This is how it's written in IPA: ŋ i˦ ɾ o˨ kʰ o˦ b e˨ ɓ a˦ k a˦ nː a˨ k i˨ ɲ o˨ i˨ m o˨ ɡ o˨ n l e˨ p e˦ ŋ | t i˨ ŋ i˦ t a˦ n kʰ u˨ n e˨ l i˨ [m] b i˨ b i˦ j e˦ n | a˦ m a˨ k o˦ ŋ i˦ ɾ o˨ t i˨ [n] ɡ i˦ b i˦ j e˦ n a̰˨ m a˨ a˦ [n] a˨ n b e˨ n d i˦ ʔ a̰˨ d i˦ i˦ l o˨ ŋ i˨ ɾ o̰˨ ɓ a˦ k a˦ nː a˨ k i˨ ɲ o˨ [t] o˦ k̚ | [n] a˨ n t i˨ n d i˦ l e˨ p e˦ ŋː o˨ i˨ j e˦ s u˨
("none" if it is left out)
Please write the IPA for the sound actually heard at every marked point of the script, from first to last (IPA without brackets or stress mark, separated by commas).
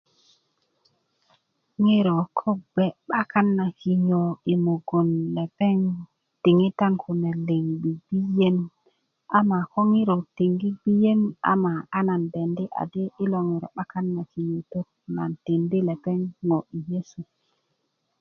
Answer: ŋ, ŋ, n, t, n